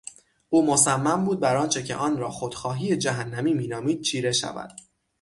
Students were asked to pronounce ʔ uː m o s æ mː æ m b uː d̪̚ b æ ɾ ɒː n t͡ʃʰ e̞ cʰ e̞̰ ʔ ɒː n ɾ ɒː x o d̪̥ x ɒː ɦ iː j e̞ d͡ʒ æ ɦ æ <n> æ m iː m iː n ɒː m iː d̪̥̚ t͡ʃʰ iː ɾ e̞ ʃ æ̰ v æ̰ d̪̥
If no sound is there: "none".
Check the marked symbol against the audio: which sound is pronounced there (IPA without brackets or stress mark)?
nː